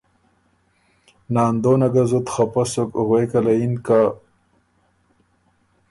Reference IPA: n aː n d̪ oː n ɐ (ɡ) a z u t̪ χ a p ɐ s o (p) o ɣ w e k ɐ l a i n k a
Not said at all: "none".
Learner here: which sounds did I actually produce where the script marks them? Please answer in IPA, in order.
ɡ, k

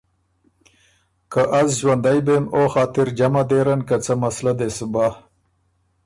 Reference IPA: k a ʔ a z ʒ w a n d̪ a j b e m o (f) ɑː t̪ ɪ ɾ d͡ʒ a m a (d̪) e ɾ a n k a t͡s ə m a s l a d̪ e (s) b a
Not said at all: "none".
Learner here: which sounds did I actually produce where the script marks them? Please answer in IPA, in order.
x, d̪, s

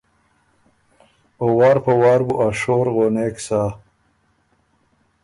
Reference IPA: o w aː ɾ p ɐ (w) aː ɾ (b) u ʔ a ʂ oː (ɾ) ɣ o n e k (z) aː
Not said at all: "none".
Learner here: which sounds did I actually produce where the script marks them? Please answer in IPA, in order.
w, b, ɾ, s

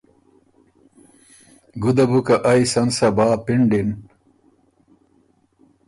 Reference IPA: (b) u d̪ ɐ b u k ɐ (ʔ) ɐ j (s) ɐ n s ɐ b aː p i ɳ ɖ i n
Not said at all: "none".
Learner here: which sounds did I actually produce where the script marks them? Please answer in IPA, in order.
ɡ, ʔ, s

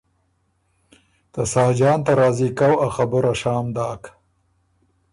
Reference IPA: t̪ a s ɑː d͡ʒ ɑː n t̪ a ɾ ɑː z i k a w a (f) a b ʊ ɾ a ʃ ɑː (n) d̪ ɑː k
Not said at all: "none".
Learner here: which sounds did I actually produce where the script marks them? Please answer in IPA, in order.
x, m

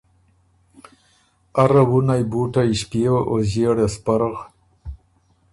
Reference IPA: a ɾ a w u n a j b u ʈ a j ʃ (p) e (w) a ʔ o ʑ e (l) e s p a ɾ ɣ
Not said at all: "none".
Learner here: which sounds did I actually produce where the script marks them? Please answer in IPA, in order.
p, w, ɽ

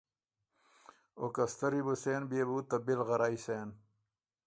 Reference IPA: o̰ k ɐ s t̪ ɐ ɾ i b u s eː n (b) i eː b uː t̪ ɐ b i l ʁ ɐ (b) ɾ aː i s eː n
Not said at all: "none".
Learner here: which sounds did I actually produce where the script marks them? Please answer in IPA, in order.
b, none

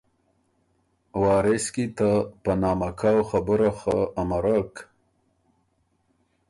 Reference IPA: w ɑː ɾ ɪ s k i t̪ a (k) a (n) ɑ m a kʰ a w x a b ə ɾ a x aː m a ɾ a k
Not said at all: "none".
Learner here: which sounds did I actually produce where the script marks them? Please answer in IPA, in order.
p, n

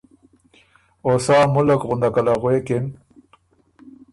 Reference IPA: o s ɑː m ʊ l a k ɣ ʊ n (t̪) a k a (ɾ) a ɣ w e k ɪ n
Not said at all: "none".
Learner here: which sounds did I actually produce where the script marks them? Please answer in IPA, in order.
d̪, l

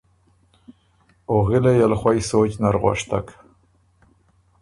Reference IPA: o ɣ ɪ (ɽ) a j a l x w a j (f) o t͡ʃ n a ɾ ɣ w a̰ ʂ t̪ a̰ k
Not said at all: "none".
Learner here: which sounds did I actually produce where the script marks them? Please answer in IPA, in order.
l, s

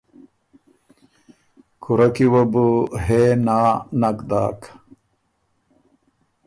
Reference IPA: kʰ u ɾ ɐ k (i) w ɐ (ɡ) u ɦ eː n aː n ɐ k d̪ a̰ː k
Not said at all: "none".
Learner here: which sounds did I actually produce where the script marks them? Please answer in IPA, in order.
i, b

